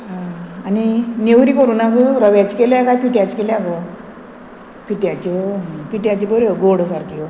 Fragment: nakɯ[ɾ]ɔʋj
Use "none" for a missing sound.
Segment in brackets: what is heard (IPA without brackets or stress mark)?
ɾ